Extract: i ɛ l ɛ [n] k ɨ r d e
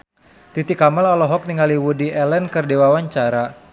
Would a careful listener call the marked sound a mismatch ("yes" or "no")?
no